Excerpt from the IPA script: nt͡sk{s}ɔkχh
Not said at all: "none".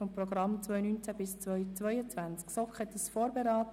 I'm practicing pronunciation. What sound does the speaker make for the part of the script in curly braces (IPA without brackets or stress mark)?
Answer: s